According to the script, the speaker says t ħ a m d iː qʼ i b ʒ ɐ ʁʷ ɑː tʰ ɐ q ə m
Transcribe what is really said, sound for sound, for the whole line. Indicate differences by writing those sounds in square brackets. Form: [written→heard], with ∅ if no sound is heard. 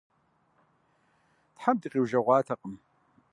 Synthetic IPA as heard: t ħ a m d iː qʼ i [b→w] ʒ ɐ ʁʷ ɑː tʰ ɐ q ə m